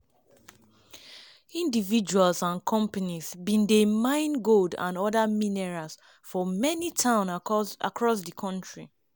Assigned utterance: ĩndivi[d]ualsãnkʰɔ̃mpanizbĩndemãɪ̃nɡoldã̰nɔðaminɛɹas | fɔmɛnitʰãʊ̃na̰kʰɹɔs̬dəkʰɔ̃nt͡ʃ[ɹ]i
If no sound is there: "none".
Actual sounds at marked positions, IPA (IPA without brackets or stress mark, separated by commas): d͡ʒ, ɹ